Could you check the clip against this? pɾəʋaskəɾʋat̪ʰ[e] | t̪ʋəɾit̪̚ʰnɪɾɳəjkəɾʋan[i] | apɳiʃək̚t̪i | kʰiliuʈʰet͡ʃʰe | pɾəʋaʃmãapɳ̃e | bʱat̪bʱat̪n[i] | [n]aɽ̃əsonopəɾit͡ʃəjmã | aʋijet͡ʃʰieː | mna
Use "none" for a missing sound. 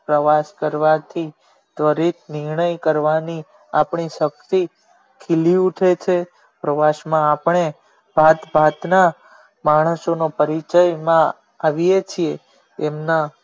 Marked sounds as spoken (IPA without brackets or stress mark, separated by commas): i, i, a, m